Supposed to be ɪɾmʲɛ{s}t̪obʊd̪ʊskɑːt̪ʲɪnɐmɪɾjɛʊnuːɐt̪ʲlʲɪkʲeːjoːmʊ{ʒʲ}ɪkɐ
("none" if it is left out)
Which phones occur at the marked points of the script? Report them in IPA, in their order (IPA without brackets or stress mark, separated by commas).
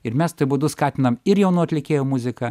s, zʲ